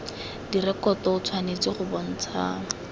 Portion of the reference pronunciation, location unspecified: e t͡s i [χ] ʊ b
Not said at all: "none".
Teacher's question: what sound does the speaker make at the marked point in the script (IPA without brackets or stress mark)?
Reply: χ